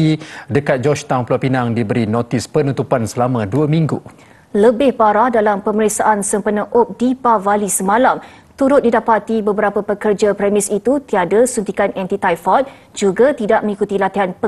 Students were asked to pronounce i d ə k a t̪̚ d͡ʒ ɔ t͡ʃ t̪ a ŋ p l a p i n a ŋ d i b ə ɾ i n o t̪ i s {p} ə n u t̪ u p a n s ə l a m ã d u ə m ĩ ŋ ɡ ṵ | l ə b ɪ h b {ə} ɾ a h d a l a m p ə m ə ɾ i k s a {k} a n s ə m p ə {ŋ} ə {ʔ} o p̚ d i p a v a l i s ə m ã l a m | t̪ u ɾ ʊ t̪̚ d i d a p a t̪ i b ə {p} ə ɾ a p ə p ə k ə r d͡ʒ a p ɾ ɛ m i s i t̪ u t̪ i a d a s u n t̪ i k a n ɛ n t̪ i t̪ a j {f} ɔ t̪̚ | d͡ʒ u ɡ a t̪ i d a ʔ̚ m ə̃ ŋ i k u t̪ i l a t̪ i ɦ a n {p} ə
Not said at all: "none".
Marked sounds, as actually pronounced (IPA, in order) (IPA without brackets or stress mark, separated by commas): p, a, ʔ, n, ʔ, b, f, p